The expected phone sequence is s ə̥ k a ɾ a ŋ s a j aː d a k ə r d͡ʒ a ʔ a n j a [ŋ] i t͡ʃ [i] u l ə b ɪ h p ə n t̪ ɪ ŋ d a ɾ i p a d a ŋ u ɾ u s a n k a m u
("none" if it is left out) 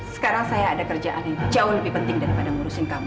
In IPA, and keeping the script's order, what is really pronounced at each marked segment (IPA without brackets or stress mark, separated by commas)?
ŋ, a